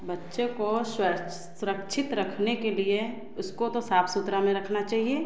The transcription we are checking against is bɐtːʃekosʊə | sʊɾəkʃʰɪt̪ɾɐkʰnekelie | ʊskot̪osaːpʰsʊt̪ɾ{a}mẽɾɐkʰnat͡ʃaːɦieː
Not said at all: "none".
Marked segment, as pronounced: a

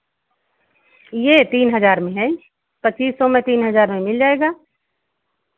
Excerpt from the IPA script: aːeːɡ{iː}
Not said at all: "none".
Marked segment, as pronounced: aː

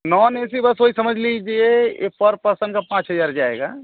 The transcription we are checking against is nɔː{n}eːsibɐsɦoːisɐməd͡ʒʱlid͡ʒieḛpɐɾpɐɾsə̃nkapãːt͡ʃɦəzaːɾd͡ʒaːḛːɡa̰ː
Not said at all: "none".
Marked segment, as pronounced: n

